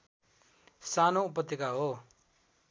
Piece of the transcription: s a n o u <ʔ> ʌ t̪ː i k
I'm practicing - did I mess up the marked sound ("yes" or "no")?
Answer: yes